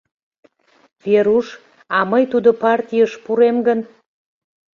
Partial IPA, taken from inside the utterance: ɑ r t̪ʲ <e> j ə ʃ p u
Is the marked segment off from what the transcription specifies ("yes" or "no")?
yes